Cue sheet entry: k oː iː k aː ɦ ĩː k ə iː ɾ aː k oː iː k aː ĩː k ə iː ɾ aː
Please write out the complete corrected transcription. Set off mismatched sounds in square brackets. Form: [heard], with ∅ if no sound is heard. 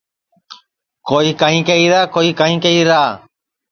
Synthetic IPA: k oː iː k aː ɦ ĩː k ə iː ɾ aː k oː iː k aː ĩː k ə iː ɾ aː